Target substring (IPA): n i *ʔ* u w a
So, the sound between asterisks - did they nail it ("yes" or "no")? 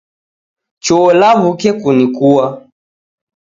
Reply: no